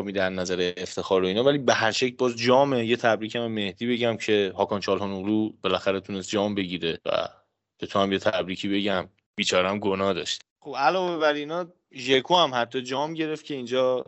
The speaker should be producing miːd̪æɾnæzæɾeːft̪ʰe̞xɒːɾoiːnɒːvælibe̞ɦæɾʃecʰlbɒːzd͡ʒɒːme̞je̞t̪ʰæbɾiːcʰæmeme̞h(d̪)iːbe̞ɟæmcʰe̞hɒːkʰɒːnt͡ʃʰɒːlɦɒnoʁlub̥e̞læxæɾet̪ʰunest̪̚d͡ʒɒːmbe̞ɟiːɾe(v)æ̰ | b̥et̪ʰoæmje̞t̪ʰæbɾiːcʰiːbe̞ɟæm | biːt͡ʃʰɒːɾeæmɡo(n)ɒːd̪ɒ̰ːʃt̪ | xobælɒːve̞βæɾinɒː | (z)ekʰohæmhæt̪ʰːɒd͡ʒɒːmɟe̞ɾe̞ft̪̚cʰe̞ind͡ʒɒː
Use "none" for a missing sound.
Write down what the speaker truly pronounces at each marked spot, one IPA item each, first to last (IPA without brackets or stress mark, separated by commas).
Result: d̪, v, n, ʒ